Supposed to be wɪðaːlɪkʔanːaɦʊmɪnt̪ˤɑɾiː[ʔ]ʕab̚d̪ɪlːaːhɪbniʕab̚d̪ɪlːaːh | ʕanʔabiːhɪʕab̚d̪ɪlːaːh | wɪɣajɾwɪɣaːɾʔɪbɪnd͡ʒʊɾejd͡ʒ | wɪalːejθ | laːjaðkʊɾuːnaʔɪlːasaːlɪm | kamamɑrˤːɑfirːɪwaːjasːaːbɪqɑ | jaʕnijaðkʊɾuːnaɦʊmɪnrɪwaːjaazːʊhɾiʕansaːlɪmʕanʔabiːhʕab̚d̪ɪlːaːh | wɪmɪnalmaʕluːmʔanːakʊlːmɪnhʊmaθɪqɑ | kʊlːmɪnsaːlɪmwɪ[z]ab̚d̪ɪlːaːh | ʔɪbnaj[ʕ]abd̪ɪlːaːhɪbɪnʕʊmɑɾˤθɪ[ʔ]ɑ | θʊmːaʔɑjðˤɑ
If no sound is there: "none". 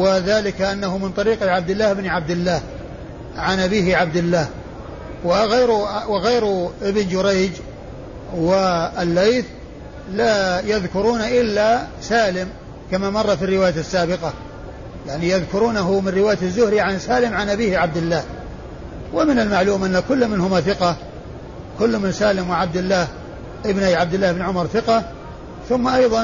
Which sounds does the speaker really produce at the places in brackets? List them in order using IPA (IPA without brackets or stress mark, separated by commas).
q, ʕ, ʕ, q